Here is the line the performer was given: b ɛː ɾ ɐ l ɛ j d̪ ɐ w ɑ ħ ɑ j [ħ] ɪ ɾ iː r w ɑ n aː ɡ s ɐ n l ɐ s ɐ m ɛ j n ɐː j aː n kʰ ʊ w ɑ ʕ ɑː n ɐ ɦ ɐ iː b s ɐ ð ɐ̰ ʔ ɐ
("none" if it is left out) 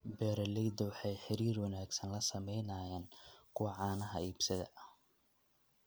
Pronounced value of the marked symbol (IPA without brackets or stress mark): ħ